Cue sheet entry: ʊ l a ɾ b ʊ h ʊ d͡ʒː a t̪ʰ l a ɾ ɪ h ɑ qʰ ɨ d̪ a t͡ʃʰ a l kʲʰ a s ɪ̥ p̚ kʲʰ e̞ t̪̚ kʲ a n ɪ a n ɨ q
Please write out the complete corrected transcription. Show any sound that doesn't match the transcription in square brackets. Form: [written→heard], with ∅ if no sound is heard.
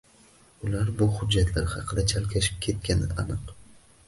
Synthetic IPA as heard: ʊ l a ɾ b ʊ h ʊ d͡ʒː a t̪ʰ l a ɾ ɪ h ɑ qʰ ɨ d̪ a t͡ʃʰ a l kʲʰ a [s→ʃ] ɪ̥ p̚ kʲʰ e̞ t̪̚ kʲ a n ɪ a n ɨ q